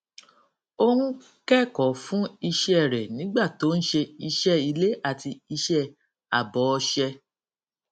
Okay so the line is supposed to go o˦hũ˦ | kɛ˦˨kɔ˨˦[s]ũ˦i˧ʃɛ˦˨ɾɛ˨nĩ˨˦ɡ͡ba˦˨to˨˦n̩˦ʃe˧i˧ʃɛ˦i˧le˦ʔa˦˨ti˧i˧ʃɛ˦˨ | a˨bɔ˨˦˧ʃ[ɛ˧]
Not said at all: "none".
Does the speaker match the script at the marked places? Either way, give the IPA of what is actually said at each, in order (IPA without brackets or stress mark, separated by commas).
f, ɛ˧